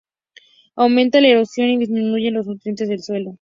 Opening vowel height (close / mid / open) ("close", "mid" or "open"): open